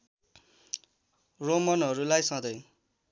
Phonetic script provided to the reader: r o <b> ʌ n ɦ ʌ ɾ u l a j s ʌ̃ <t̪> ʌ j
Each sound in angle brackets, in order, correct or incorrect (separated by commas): incorrect, incorrect